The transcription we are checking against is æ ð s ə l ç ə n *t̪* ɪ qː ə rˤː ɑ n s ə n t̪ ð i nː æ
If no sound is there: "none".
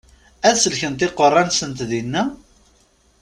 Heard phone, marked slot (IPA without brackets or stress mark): t̪